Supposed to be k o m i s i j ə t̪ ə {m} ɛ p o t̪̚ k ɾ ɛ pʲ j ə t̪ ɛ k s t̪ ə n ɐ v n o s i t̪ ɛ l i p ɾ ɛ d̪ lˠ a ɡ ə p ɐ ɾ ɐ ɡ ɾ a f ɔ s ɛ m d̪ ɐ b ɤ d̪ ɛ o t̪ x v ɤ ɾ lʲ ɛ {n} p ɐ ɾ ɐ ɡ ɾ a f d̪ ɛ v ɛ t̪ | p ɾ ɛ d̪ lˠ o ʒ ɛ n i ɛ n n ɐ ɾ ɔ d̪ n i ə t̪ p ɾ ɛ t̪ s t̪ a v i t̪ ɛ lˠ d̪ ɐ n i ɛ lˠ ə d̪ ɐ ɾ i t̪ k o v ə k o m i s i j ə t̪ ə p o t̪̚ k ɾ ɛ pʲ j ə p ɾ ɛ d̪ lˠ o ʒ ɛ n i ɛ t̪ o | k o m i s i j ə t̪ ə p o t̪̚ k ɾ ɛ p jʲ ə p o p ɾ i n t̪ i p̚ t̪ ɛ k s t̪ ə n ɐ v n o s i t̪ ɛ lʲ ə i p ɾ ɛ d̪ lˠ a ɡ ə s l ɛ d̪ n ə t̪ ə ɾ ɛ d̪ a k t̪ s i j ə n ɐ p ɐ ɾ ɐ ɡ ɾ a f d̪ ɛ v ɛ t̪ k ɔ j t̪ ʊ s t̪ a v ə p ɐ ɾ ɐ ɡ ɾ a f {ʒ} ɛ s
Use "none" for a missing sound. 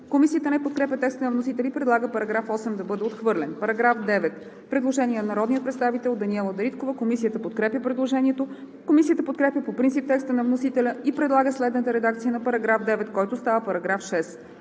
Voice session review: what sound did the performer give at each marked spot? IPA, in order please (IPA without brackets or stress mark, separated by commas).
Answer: n, n, ʃ